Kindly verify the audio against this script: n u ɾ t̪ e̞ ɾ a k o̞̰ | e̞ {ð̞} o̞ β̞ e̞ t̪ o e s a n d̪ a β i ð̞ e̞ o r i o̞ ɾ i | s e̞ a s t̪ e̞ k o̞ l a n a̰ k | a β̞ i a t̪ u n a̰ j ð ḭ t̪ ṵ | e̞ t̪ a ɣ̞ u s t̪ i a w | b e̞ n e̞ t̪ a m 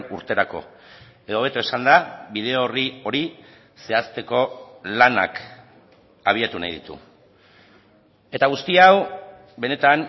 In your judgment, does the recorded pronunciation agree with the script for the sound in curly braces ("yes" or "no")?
yes